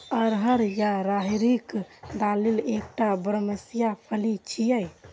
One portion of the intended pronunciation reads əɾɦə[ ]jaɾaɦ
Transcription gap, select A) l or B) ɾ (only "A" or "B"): B